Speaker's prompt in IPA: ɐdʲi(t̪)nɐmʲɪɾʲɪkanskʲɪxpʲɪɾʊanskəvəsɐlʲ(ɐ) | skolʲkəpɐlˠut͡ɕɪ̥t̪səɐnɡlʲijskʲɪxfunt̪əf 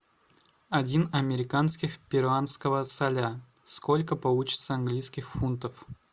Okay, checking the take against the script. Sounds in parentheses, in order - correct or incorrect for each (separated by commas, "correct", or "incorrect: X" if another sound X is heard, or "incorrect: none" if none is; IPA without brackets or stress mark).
incorrect: none, incorrect: a